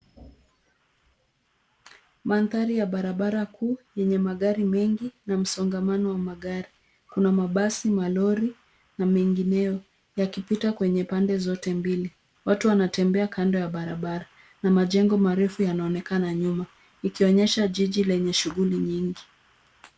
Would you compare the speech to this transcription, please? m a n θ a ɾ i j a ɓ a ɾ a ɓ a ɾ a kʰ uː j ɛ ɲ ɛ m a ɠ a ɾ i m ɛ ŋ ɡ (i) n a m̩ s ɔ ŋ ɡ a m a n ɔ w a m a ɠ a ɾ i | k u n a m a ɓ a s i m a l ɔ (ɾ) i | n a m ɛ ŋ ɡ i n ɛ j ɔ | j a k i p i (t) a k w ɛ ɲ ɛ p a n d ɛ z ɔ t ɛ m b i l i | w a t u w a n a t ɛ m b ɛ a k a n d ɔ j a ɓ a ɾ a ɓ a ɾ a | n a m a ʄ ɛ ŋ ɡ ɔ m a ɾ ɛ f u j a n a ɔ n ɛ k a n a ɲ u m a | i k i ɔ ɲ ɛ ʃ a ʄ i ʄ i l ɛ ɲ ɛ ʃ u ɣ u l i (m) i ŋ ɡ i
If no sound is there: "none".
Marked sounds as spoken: i, ɾ, t, ɲ

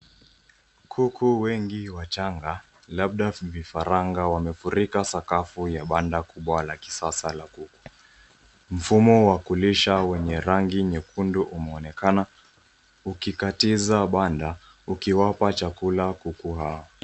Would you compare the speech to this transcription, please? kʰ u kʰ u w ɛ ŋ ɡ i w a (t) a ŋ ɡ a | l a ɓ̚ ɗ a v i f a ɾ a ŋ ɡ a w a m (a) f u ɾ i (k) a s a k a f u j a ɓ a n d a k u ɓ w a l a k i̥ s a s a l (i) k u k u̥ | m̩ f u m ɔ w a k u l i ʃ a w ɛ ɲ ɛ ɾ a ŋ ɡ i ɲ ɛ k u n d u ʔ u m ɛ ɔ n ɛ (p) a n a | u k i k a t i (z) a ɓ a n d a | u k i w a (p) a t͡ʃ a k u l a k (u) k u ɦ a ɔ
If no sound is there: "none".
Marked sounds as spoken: t͡ʃ, ɛ, k, a, k, z, p, u

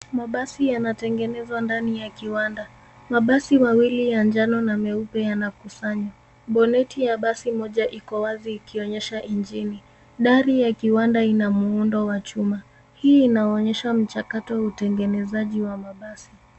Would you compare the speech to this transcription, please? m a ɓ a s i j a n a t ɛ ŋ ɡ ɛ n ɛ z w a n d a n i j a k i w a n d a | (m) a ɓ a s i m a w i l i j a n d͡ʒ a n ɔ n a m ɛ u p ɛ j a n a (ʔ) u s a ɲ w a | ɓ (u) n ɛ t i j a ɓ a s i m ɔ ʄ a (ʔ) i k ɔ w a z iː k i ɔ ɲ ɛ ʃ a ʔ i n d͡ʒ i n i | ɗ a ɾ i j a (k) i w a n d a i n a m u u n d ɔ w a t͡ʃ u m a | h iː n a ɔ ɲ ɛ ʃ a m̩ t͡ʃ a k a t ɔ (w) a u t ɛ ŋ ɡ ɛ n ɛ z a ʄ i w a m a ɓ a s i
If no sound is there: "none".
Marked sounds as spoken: m, k, ɔ, ʔ, k, w

